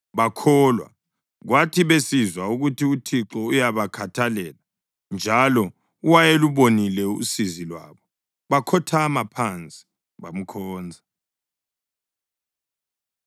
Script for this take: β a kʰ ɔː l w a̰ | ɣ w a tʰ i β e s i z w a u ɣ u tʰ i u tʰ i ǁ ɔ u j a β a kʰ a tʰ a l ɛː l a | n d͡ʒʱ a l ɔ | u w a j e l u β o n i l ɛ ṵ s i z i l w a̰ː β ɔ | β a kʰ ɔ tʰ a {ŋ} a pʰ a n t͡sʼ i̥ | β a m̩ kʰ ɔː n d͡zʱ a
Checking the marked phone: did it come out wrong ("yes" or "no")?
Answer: yes